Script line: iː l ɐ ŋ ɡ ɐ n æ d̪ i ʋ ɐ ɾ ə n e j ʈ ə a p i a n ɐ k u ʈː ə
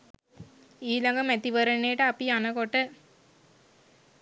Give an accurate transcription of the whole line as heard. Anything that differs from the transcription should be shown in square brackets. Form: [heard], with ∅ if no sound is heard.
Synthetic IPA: iː l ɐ ŋ ɡ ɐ [m] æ [t̪] i ʋ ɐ ɾ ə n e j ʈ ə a p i a n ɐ k [o] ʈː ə